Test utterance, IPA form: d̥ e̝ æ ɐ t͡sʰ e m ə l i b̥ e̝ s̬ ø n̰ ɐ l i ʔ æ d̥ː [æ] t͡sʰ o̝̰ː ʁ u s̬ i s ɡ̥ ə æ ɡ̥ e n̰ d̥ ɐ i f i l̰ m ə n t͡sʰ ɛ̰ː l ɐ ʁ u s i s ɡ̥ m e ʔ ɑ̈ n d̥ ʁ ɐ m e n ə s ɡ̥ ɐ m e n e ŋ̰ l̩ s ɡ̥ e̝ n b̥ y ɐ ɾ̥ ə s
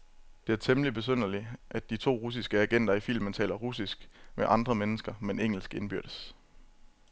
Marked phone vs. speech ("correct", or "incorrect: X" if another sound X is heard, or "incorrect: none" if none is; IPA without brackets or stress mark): incorrect: i